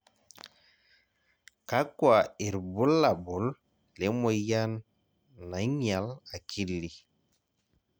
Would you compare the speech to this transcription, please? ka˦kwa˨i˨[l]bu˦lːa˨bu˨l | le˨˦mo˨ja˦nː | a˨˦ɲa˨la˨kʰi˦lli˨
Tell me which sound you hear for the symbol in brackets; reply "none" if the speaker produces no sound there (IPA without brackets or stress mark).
ɾ